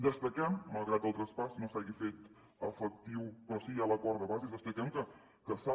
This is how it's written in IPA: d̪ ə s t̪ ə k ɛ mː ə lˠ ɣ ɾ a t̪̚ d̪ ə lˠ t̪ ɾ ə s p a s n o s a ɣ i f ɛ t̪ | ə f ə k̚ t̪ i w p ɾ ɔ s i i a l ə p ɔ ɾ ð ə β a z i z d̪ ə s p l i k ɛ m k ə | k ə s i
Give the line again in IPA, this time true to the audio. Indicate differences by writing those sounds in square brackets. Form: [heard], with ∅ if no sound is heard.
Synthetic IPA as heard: d̪ ə s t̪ ə k ɛ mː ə lˠ ɣ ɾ a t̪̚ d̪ ə lˠ t̪ ɾ ə s p a s n o s a ɣ i f [e] t̪ | ə f ə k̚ t̪ i w p ɾ ɔ s i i a l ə [k] ɔ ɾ ð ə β a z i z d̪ ə s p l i k ɛ m k ə | k ə s [a]